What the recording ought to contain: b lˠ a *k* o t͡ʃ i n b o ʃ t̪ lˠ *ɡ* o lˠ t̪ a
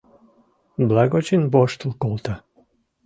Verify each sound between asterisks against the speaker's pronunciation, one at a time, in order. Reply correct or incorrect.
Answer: incorrect: ɡ, incorrect: k

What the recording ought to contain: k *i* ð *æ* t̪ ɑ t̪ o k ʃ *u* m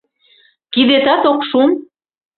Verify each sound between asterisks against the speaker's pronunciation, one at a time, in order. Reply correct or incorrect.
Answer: correct, incorrect: e, correct

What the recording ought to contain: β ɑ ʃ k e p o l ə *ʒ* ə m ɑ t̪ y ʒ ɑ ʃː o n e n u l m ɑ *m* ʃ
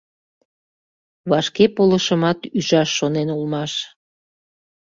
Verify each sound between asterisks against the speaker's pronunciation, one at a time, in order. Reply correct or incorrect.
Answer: incorrect: ʃ, incorrect: none

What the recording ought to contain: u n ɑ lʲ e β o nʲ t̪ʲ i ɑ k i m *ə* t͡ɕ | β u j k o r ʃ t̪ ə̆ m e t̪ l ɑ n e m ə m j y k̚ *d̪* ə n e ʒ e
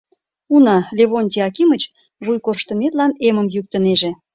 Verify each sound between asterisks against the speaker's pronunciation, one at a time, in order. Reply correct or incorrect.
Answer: correct, incorrect: t̪

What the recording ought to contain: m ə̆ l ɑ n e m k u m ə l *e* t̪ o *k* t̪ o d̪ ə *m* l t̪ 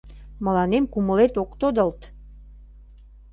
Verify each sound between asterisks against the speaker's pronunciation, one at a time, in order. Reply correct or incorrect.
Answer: correct, correct, incorrect: none

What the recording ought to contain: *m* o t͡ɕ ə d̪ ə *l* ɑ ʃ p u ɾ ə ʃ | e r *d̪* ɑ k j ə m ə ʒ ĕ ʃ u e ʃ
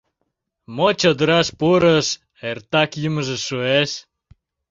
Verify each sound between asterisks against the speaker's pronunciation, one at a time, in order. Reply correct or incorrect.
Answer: correct, incorrect: ɾ, incorrect: t̪

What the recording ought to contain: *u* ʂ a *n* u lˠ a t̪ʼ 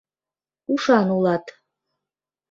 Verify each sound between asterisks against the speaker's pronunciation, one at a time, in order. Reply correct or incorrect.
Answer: correct, correct

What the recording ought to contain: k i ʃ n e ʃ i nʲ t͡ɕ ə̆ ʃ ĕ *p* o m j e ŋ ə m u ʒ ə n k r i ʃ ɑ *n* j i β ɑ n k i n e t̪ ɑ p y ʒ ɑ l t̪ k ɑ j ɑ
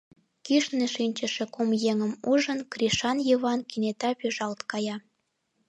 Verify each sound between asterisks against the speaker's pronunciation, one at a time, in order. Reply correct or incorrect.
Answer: incorrect: k, correct

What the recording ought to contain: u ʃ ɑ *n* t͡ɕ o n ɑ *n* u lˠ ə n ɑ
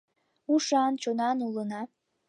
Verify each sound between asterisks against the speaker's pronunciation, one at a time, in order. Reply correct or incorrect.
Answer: correct, correct

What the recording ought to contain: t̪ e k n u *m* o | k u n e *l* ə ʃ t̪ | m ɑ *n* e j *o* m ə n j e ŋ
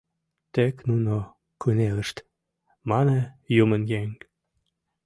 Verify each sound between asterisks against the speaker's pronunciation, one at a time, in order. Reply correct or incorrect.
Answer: incorrect: n, correct, correct, incorrect: u

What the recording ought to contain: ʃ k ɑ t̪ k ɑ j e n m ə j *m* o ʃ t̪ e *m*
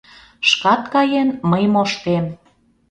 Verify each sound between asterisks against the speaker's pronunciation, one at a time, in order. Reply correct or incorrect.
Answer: correct, correct

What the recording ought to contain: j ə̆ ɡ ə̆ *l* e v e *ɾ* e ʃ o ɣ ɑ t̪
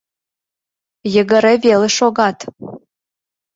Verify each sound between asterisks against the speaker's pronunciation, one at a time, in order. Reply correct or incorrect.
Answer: incorrect: ɾ, incorrect: l

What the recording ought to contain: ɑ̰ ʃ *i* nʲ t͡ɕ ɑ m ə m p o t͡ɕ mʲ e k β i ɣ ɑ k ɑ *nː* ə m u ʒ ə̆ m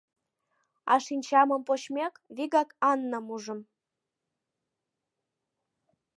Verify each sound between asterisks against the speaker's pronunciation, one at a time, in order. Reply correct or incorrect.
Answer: correct, correct

